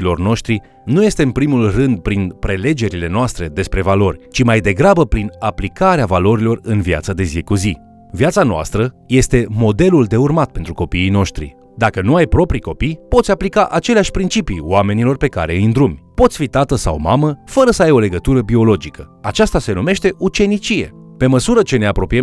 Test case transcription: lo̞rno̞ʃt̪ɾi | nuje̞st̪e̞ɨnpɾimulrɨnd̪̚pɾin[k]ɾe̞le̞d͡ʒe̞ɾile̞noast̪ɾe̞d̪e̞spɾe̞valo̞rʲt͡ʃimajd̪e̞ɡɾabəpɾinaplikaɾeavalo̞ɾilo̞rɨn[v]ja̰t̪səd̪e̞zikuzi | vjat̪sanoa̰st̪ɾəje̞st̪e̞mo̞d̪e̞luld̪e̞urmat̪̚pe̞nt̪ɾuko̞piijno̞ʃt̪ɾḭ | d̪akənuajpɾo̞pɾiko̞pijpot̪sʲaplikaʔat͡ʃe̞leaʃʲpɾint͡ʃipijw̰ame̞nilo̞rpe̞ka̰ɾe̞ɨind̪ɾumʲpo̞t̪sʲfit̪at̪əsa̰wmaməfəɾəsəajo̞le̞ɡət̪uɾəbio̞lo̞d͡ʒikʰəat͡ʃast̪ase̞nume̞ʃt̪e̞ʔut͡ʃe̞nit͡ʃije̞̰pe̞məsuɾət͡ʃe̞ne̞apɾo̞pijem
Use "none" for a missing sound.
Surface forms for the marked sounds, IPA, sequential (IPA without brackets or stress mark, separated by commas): p, v